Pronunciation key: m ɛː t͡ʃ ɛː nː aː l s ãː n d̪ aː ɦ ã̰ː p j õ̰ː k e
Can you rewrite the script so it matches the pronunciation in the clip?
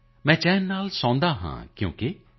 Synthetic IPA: m ɛ̃ː t͡ʃ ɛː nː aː l s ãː n d̪ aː ɦ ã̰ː k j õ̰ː k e